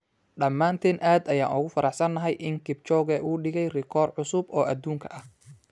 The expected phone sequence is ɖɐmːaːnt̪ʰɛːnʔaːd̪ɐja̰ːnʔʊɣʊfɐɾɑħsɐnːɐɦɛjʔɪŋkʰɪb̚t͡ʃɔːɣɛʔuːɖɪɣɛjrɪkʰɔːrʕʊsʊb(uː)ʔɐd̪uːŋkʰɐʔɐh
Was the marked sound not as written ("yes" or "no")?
yes